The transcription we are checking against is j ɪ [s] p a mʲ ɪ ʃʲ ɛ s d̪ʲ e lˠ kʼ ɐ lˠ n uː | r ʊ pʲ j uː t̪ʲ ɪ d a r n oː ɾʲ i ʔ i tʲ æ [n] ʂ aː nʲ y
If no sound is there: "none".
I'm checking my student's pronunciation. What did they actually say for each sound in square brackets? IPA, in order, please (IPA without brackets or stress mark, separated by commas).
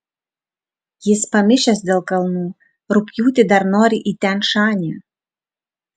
s, n